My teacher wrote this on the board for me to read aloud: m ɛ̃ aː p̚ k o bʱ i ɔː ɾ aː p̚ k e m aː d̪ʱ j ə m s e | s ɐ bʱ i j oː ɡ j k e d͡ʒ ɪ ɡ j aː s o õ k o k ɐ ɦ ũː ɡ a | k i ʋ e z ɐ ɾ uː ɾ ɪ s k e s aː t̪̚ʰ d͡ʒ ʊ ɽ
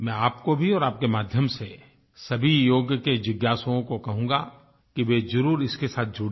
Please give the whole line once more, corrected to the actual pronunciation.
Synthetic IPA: m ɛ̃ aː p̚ k o bʱ i ɔː ɾ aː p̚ k e m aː d̪ʱ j ə m s e | s ɐ bʱ i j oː ɡ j k e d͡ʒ ɪ ɡ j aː s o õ k o k ɐ ɦ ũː ɡ a | k i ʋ e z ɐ ɾ uː ɾ ɪ s k e s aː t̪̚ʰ d͡ʒ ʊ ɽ